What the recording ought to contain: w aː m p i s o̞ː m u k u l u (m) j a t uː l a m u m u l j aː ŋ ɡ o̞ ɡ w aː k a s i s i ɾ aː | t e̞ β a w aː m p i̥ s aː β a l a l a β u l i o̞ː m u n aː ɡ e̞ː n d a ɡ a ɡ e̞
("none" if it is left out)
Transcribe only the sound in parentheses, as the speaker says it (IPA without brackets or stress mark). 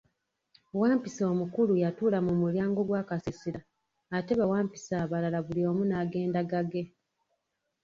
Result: none